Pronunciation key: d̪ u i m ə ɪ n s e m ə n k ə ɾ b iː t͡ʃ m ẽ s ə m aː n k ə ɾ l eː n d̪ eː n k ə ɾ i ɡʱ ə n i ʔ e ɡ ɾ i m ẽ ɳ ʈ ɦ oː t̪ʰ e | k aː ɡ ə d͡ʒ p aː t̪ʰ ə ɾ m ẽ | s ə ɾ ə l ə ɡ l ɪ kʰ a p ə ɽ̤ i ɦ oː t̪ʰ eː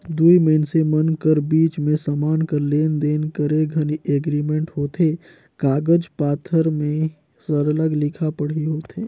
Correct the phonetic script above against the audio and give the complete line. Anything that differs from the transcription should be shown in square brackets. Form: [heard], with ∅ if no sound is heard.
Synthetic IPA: d̪ u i m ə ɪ n s e m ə n k ə ɾ b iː t͡ʃ m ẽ s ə m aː n k ə ɾ l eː n d̪ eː n k ə ɾ [e] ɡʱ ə n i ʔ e ɡ ɾ i m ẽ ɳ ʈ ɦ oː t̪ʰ e | k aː ɡ ə d͡ʒ p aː t̪ʰ ə ɾ m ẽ | s ə ɾ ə l ə ɡ l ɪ kʰ a p ə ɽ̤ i ɦ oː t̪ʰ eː